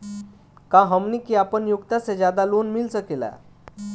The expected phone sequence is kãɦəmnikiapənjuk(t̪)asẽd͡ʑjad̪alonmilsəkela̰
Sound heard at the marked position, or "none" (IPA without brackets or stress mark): t̪